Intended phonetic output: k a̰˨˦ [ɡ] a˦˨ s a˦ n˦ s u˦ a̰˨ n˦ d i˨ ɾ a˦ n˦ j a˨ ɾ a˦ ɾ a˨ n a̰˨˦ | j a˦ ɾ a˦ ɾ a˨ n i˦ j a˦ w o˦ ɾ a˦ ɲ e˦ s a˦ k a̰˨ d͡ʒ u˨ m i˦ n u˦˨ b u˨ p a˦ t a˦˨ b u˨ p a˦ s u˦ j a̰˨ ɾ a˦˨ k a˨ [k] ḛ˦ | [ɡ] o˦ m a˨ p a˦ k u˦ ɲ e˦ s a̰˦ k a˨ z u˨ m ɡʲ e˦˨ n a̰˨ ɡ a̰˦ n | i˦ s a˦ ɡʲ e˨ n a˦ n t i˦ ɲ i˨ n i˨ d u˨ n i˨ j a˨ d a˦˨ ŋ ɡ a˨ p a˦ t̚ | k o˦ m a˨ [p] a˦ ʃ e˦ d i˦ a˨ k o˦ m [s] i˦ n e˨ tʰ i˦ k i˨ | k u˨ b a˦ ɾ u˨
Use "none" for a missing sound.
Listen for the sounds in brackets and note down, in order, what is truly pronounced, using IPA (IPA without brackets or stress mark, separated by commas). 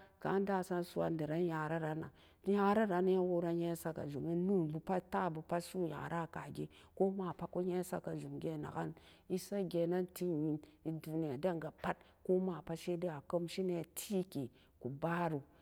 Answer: d, ɡ, k, p, ʃ